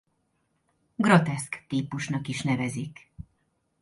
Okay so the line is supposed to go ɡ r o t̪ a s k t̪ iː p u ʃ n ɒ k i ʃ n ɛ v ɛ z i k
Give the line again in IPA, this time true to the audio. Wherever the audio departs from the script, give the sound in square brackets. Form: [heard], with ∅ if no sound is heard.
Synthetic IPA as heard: ɡ r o t̪ [ɛ] s k t̪ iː p u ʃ n ɒ k i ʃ n ɛ v ɛ z i k